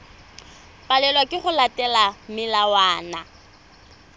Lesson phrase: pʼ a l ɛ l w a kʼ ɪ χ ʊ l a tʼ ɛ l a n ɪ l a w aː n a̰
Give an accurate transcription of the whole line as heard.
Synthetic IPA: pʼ a l ɛ l w a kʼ ɪ χ ʊ l a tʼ ɛ l a m ɪ l a w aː n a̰